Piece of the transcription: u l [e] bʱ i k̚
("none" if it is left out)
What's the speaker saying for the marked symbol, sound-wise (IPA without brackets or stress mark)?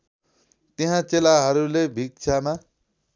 e